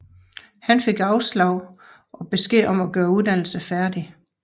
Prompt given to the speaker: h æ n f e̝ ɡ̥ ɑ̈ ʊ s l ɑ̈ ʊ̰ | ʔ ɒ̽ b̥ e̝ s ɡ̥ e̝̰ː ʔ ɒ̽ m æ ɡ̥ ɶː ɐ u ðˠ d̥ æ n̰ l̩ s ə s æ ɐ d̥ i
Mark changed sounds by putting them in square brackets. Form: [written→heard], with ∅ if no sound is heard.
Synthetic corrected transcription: h æ n f e̝ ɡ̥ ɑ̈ ʊ s l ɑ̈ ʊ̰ | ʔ ɒ̽ b̥ e̝ s ɡ̥ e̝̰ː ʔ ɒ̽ m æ ɡ̥ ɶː ɐ u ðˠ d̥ æ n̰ l̩ s ə [s→f] æ ɐ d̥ i